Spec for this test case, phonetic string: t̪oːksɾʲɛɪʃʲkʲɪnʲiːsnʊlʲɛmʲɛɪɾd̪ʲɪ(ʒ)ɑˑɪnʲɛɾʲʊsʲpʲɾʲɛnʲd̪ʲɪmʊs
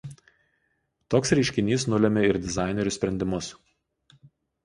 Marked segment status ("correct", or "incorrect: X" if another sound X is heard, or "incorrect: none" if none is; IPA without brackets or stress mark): incorrect: z